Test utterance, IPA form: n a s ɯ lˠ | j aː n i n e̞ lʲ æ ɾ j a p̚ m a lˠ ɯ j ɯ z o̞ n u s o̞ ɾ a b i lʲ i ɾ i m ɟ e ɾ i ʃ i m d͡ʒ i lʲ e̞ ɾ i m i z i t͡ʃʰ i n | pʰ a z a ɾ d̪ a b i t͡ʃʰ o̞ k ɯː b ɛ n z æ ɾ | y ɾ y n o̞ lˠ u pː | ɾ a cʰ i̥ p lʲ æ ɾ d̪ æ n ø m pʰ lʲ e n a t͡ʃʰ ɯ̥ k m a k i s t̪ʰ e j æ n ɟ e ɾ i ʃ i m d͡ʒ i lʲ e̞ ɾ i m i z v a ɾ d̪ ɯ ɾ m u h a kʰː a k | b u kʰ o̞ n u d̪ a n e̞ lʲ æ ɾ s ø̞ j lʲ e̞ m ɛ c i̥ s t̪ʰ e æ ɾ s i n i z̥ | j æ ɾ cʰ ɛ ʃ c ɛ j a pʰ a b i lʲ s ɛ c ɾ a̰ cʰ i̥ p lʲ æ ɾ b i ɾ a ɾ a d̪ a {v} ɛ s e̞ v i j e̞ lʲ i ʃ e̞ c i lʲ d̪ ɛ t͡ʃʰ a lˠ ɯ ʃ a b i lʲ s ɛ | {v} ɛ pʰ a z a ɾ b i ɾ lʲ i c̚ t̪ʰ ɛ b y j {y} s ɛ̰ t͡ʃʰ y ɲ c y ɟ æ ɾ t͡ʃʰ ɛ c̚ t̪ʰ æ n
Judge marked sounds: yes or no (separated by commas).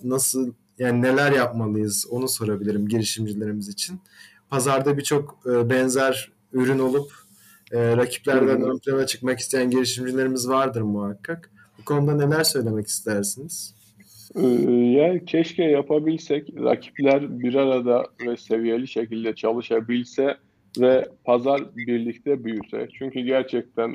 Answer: yes, yes, yes